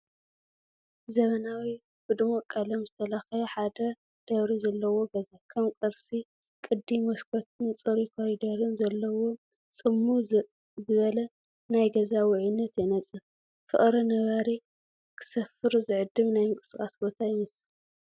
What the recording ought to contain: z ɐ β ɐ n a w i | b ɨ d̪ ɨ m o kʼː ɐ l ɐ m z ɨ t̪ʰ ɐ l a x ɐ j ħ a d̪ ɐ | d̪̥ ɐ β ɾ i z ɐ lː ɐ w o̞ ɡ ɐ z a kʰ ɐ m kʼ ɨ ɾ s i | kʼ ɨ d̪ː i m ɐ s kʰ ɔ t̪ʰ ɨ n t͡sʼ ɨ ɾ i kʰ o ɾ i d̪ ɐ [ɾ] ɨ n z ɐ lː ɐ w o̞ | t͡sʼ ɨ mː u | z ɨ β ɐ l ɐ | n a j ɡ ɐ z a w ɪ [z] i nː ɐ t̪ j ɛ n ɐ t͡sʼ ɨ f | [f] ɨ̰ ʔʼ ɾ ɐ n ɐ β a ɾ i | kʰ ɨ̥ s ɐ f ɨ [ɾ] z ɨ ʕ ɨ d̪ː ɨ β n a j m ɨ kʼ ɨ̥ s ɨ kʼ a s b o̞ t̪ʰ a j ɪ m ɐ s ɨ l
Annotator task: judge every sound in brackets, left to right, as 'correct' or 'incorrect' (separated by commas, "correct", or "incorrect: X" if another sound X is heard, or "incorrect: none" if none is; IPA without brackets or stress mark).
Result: correct, incorrect: ʕ, correct, correct